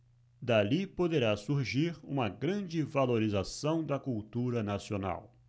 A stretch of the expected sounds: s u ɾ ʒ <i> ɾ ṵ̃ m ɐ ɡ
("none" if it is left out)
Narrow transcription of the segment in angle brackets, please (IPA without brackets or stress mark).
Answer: i